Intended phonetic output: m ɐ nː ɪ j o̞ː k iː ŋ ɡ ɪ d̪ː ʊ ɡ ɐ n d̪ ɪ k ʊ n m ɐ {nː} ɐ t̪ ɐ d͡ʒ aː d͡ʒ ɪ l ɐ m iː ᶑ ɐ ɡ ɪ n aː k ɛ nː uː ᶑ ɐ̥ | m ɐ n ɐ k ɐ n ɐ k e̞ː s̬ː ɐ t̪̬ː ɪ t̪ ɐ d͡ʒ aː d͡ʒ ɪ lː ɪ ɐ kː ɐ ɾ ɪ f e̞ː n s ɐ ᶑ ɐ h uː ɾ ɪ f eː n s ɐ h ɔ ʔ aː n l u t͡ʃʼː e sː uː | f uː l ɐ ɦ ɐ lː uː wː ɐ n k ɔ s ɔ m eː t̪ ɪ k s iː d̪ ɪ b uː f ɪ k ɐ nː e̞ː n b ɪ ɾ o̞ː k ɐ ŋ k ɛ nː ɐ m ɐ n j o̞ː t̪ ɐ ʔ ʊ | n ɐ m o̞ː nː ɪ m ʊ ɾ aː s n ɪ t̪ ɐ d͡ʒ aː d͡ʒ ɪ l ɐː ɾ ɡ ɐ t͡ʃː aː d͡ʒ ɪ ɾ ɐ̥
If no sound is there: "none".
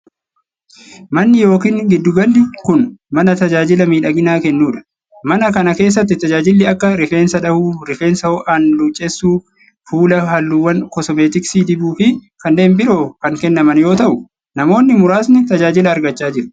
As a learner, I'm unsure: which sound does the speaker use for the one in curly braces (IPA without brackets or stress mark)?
n